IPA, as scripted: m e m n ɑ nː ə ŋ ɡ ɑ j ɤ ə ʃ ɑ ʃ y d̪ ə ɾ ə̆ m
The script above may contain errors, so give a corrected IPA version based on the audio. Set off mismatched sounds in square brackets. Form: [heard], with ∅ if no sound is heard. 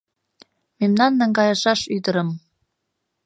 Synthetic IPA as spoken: m e m n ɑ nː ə ŋ ɡ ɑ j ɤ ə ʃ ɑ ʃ y d̪ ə ɾ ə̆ m